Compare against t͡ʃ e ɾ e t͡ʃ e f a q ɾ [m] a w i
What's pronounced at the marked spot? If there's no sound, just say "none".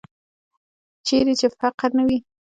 n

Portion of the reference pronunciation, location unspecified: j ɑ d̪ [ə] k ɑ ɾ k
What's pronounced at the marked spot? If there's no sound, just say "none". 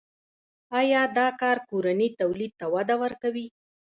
ɑ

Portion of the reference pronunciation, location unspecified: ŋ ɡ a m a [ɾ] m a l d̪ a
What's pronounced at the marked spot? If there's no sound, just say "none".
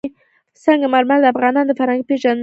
ɾ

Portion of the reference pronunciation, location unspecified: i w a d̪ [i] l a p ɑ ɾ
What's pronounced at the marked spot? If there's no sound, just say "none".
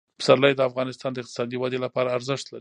e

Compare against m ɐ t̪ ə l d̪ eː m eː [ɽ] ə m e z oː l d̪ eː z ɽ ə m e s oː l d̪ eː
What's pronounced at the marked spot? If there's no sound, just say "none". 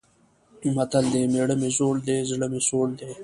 ɽ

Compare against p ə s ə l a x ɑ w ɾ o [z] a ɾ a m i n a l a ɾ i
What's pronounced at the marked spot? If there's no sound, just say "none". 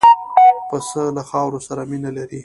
s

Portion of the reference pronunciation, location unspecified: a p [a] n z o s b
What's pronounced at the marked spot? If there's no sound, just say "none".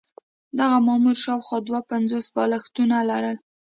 a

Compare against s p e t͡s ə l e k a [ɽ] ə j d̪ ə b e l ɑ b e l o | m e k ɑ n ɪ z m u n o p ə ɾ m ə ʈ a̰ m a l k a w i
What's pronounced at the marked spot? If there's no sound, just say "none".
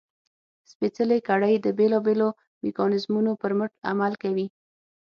ɽ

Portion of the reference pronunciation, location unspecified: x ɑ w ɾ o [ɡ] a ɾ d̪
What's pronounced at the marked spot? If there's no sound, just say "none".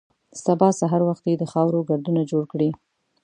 ɡ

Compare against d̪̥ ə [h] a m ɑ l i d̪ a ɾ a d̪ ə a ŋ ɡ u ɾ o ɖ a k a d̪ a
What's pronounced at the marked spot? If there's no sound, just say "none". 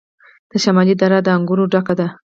ʃ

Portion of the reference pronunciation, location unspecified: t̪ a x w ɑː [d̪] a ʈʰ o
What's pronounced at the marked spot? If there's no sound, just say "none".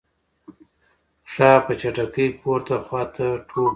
t̪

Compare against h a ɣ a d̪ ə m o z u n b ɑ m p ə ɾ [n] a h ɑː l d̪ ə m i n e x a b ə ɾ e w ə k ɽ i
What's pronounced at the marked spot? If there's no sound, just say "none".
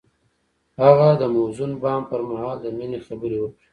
m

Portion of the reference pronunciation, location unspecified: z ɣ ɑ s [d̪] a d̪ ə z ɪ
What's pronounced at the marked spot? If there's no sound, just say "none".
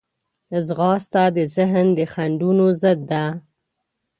t̪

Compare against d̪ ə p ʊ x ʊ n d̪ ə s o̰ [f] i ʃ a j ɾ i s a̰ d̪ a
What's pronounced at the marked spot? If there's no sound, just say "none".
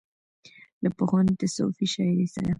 f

